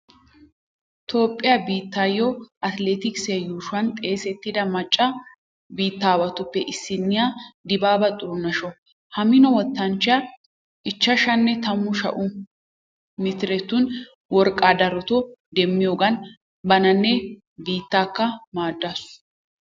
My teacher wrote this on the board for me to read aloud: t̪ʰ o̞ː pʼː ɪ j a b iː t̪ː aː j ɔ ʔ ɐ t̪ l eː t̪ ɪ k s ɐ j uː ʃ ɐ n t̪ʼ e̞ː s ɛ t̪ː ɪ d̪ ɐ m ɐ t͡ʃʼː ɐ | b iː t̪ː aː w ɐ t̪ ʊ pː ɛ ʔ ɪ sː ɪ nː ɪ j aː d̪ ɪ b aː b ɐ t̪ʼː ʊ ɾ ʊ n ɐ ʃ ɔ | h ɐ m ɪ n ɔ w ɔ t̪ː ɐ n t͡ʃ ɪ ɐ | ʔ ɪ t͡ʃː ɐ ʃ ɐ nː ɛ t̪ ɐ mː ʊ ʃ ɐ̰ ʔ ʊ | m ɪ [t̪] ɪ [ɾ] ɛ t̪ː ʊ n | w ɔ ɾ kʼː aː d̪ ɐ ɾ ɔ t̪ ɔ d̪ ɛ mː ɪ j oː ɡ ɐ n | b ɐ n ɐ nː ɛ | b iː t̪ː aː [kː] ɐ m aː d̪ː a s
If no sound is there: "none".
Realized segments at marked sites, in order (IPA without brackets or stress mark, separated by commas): t̪, ɾ, kː